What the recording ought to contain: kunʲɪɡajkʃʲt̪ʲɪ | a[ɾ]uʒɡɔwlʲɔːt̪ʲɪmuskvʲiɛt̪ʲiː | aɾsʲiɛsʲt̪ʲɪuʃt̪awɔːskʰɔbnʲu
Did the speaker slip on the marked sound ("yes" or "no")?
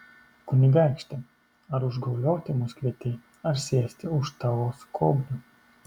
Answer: no